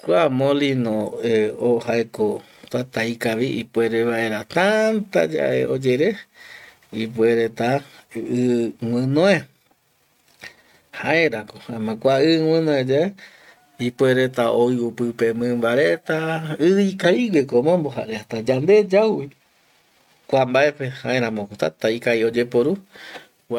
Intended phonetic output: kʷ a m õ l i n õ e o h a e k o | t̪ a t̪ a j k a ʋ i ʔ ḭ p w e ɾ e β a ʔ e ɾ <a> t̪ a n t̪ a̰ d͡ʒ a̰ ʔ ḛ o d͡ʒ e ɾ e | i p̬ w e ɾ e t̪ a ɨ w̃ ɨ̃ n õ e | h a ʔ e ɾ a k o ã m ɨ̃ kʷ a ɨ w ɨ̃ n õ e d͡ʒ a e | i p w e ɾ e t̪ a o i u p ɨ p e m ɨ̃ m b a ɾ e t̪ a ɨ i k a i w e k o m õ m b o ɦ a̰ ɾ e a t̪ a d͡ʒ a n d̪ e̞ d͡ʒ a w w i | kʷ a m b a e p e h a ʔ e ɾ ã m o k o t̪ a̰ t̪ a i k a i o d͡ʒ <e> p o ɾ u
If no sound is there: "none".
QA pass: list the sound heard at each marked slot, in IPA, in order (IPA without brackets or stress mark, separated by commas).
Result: a, e